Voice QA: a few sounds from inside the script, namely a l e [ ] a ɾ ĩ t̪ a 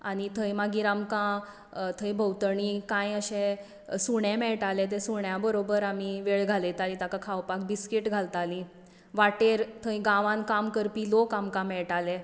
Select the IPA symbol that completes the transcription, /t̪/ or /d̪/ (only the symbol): t̪